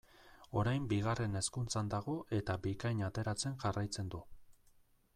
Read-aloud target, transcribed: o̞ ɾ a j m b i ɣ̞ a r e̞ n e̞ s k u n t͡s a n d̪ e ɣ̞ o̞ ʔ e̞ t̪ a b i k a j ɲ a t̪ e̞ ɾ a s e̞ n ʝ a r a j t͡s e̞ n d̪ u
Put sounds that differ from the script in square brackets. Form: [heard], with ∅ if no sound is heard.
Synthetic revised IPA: o̞ ɾ a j m b i ɣ̞ a r e̞ n e̞ s k u n t͡s a n d̪ [a] ɣ̞ o̞ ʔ e̞ t̪ a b i k a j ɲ a t̪ e̞ ɾ a [t͡s] e̞ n ʝ a r a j t͡s e̞ n d̪ u